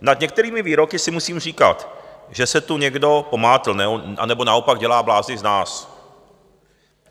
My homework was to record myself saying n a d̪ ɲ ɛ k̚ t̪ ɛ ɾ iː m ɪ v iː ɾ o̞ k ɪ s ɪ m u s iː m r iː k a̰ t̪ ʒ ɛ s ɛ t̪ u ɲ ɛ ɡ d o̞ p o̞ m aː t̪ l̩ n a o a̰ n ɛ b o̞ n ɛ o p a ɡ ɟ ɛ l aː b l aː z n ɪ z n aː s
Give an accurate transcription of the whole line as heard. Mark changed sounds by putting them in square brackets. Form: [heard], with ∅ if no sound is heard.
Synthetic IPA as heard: n a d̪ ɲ ɛ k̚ t̪ ɛ ɾ iː m ɪ v iː ɾ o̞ k ɪ s ɪ m u s iː m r iː k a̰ t̪ ʒ ɛ s ɛ t̪ u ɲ ɛ ɡ d o̞ p o̞ m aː t̪ l̩ n [ɛ] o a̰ n ɛ b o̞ n [a] o p a ɡ ɟ ɛ l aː b l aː z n ɪ z n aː s